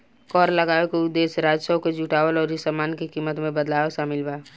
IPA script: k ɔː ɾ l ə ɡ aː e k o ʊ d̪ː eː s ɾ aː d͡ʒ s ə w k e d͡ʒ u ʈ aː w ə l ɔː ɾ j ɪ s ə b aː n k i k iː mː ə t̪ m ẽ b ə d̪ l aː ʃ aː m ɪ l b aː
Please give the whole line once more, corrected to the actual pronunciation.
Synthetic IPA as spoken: k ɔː ɾ l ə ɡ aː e k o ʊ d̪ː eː s ɾ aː d͡ʒ s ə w k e d͡ʒ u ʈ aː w ə l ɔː ɾ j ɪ s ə m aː n k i k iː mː ə t̪ m ẽ b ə d̪ l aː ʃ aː m ɪ l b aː

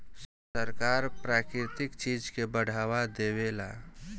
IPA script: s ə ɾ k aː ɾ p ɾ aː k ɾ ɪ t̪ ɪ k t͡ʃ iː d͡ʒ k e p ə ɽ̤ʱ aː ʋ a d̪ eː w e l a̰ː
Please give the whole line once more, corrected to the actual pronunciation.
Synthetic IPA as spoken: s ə ɾ k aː ɾ p ɾ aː k ɾ ɪ t̪ ɪ k t͡ʃ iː d͡ʒ k e b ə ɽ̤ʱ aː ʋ a d̪ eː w e l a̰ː

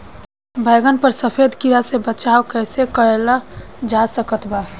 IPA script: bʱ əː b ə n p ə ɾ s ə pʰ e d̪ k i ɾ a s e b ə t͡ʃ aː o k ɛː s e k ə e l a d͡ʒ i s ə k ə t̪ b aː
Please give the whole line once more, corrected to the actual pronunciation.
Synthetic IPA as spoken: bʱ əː ɡ ə n p ə ɾ s ə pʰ e d̪ k i ɾ a s e b ə t͡ʃ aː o k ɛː s e k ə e l a d͡ʒ a s ə k ə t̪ b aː

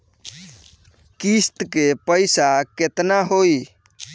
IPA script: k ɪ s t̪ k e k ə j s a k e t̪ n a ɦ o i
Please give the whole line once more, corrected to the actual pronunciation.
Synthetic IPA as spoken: k i s t̪ k e p ə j s a k e t̪ n a ɦ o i

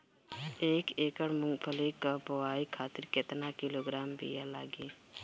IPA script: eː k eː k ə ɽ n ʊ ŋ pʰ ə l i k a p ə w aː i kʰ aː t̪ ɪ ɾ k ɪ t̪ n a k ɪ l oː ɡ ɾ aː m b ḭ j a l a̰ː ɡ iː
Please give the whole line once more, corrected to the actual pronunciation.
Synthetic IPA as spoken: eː k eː k ə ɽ m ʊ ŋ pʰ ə l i k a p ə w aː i kʰ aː t̪ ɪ ɾ k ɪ t̪ n a k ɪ l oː ɡ ɾ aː m b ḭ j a l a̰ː ɡ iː

